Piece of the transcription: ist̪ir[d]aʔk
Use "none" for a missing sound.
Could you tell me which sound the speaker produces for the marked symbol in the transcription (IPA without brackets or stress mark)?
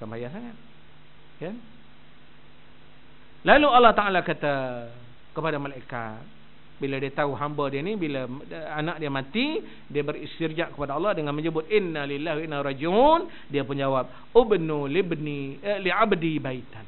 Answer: d͡ʒ